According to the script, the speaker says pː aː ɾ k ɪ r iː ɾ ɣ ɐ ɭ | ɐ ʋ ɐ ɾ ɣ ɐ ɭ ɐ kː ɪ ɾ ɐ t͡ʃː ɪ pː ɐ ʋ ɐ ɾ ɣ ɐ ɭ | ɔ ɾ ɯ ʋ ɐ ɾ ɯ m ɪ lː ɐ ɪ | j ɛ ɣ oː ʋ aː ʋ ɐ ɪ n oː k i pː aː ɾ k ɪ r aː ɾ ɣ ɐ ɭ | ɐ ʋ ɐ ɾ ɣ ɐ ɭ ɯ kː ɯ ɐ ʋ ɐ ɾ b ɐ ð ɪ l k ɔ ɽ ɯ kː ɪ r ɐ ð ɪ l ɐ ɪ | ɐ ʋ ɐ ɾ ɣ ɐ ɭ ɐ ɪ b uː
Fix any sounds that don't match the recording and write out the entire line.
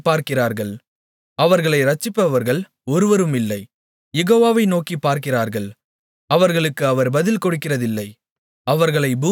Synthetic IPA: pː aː ɾ k ɪ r aː ɾ ɣ ɐ ɭ | ɐ ʋ ɐ ɾ ɣ ɐ ɭ ɐ ɪ ɾ ɐ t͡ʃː ɪ pː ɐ ʋ ɐ ɾ ɣ ɐ ɭ | ɔ ɾ ɯ ʋ ɐ ɾ ɯ m ɪ lː ɐ ɪ | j ɛ ɣ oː ʋ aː ʋ ɐ ɪ n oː k i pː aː ɾ k ɪ r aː ɾ ɣ ɐ ɭ | ɐ ʋ ɐ ɾ ɣ ɐ ɭ ɯ kː ɯ ɐ ʋ ɐ ɾ b ɐ ð ɪ l k ɔ ɽ ɯ kː ɪ r ɐ ð ɪ lː ɐ ɪ | ɐ ʋ ɐ ɾ ɣ ɐ ɭ ɐ ɪ b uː